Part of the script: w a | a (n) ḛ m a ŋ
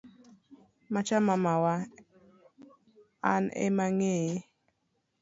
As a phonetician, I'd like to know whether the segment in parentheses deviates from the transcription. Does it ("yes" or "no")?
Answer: no